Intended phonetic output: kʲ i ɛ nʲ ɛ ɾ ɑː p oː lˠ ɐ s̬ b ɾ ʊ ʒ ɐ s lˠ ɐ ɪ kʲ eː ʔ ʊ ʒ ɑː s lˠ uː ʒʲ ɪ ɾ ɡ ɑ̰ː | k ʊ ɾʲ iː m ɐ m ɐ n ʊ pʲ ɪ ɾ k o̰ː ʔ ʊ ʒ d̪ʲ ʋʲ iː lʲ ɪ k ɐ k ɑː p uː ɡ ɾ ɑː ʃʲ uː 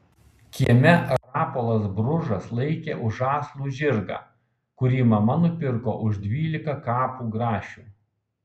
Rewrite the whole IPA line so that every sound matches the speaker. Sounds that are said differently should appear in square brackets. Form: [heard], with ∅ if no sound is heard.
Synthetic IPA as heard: kʲ i ɛ [mʲ] ɛ ɾ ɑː p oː lˠ ɐ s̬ b ɾ ʊ ʒ ɐ s lˠ ɐ ɪ kʲ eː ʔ ʊ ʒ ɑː s lˠ uː ʒʲ ɪ ɾ ɡ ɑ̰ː | k ʊ ɾʲ iː m ɐ m ɐ n ʊ pʲ ɪ ɾ k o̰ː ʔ ʊ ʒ d̪ʲ ʋʲ iː lʲ ɪ k ɐ k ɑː p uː ɡ ɾ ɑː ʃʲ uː